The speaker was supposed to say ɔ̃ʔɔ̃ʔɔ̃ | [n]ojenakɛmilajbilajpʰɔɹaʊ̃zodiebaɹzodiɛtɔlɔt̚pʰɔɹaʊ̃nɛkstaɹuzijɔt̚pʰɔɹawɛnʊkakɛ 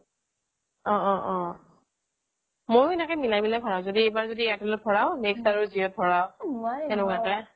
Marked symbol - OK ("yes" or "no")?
no